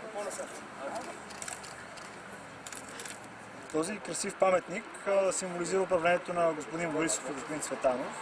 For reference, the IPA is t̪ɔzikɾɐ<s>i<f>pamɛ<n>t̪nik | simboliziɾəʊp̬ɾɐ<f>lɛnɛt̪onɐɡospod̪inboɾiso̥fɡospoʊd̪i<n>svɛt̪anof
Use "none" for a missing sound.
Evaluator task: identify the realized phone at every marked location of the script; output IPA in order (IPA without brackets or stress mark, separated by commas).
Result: s, f, none, v, n